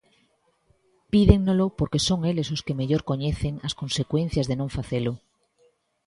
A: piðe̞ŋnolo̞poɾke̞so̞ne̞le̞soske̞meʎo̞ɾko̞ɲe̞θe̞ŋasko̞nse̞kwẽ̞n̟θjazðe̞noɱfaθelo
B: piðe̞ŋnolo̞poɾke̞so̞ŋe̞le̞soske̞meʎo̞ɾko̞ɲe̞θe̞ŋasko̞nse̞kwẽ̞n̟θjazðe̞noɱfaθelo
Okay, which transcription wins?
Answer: B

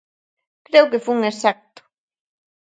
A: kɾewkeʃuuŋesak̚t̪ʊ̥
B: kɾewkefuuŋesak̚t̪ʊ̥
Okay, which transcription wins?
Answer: B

